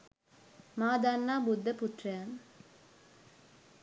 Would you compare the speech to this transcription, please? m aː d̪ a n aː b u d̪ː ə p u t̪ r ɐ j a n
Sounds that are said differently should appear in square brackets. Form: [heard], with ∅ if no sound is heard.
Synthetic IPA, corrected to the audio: m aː d̪ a [nː] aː b u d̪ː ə p u t̪ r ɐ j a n